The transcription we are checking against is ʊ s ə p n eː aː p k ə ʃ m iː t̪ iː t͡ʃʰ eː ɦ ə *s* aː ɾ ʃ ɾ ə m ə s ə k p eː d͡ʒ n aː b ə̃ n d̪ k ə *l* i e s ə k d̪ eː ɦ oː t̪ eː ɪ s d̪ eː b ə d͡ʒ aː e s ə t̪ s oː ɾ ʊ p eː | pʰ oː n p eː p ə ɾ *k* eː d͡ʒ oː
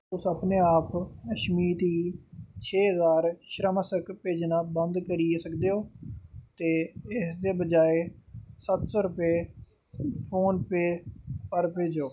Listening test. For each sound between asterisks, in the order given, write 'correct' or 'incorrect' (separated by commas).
incorrect, incorrect, incorrect